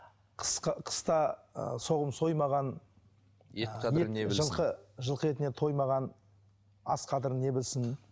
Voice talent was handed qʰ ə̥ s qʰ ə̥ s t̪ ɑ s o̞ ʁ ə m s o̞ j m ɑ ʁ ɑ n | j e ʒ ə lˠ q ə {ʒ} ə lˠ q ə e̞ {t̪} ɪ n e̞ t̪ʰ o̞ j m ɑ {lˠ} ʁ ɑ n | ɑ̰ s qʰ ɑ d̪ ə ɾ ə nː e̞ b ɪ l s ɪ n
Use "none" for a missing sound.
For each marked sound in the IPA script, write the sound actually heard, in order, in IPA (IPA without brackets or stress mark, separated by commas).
ʒ, t̪, none